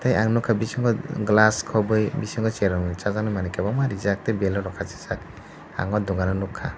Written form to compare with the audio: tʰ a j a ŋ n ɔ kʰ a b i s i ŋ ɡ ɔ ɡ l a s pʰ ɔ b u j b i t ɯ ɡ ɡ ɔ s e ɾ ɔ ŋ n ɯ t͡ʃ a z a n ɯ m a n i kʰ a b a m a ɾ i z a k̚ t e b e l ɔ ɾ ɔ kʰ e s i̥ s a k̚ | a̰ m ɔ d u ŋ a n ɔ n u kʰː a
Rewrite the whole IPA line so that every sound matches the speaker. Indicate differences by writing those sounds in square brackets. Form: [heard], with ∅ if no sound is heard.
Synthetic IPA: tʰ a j a ŋ n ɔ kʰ a b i s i ŋ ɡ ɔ ɡ l a s [kʰ] ɔ b [ɯ] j b i [s] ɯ [ŋ] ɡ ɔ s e ɾ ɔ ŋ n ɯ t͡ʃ a z a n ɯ m a n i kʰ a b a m a ɾ i z a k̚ t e b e l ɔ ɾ ɔ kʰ [a] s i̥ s a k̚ | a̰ [ŋ] ɔ d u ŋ a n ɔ n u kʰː a